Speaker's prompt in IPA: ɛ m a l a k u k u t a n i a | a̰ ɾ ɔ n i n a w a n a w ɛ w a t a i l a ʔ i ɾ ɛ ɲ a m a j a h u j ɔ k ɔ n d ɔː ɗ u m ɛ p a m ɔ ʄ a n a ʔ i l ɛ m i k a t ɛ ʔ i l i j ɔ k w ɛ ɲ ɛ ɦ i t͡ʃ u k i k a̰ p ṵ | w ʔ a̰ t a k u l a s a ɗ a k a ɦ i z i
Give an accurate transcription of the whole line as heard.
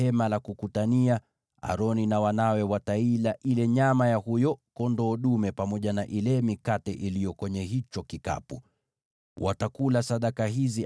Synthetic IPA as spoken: ɛ m a l a k u k u t a n i a | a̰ ɾ ɔ n i n a w a n a w ɛ w a t a i l a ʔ i l ɛ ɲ a m a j a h u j ɔ k ɔ n d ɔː ɗ u m ɛ p a m ɔ ʄ a n a ʔ i l ɛ m i k a t ɛ ʔ i l i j ɔ k w ɛ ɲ ɛ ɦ i t͡ʃ ɔ k i k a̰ p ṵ | w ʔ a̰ t a k u l a s a ɗ a k a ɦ i z i